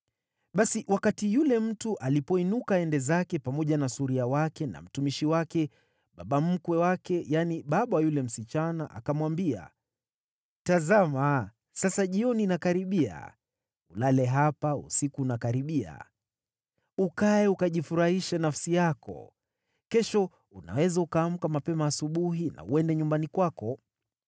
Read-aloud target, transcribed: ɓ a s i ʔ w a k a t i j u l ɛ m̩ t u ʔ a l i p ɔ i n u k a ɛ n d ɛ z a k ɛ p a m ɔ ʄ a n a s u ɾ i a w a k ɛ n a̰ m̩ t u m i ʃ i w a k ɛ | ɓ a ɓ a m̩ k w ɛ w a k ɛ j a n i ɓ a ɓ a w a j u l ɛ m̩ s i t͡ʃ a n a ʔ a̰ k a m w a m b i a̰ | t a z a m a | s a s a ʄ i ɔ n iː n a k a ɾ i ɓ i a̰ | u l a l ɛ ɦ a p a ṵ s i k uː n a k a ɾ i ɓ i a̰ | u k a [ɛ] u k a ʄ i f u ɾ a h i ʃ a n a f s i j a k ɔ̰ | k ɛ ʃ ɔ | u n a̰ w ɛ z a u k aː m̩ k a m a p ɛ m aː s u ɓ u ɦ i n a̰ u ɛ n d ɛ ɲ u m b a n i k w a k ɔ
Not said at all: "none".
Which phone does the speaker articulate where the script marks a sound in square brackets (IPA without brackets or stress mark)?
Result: ɛ